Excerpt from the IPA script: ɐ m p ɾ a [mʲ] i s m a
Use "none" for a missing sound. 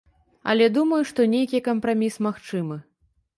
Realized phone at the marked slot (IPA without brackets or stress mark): mʲ